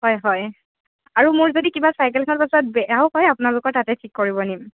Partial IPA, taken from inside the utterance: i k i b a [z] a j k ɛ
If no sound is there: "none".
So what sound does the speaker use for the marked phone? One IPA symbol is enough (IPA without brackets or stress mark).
s